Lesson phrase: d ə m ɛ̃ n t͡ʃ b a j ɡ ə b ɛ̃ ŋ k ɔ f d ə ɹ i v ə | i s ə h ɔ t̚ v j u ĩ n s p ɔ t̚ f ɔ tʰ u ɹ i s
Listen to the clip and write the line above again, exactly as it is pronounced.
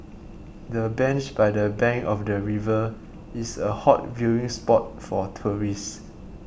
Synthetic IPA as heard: d ə b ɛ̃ n t͡ʃ b a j d ə b ɛ̃ ŋ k ɔ f d ə ɹ i v ə | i s ə h ɔ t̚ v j u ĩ ŋ s p ɔ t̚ f ɔ tʰ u ɹ i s